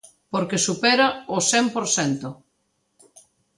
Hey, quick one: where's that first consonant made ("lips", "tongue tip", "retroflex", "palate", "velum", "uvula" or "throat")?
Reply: lips